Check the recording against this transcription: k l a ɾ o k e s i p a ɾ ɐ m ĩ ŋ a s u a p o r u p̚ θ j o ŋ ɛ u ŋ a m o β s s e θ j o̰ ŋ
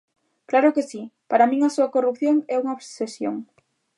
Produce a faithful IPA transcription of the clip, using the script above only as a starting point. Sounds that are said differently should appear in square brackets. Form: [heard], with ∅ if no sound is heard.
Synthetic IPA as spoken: k l a ɾ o k e s i p a ɾ [a] m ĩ ŋ a s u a [k] o r u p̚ θ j o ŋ ɛ u ŋ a [∅] o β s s e [s] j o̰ ŋ